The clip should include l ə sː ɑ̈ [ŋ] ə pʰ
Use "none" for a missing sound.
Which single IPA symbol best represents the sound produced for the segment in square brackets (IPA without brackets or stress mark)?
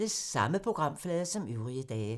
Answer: m